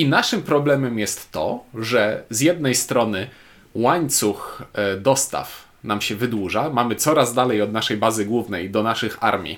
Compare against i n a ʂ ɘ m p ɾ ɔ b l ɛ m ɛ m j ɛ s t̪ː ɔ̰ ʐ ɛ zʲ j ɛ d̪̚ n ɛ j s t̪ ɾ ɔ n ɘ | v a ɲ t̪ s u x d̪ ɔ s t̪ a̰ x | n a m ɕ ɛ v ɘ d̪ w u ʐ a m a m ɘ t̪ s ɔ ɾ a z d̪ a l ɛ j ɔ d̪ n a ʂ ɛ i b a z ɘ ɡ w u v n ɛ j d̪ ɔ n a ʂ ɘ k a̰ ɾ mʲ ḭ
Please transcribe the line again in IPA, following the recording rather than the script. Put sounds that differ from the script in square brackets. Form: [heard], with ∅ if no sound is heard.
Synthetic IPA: i n a ʂ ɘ m p ɾ ɔ b l ɛ m ɛ m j ɛ s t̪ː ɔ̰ ʐ ɛ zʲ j ɛ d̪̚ n ɛ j s t̪ ɾ ɔ n ɘ | [w] a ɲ t̪ s u x d̪ ɔ s t̪ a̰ [f] | n a m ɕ ɛ v ɘ d̪ w u ʐ a m a m ɘ t̪ s ɔ ɾ a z d̪ a l ɛ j ɔ d̪ n a ʂ ɛ [j] b a z ɘ ɡ w u v n ɛ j d̪ ɔ n a ʂ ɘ [x] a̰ ɾ mʲ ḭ